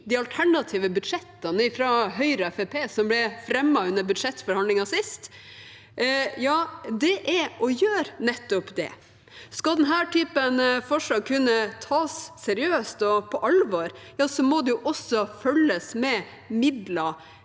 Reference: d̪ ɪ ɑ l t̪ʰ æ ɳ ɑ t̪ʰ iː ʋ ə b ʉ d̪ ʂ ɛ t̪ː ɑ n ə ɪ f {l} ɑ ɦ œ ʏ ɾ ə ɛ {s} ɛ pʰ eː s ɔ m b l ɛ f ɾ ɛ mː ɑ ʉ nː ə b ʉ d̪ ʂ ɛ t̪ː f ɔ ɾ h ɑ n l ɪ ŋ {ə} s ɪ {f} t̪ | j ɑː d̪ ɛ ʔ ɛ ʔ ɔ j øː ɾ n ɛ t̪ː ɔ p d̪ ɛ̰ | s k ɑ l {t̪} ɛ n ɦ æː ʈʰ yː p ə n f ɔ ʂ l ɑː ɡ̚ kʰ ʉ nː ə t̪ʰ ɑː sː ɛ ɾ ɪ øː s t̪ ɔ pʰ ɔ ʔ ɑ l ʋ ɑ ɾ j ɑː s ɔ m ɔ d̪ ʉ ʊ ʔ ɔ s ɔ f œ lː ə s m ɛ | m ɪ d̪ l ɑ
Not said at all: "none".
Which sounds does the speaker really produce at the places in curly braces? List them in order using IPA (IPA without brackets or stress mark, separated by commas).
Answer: ɾ, f, ɑ, s, d̪